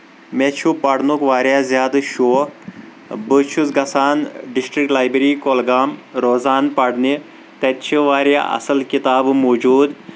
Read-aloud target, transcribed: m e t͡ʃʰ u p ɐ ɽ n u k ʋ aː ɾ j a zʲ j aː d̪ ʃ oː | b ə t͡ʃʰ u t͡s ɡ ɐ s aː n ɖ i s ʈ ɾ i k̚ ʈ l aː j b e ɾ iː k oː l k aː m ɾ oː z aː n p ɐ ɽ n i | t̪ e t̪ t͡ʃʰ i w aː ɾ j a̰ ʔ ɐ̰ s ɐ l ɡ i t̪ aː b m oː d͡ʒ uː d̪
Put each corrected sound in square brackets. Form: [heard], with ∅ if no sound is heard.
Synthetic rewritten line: m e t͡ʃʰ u p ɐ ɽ n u k ʋ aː ɾ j a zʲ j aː d̪ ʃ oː | b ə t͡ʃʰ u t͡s ɡ ɐ s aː n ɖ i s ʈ ɾ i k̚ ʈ l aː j b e ɾ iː k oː l [ɡ] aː m ɾ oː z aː n p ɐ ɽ n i | t̪ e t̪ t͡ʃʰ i [ʋ] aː ɾ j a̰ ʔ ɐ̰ s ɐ l [k] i t̪ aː b m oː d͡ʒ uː d̪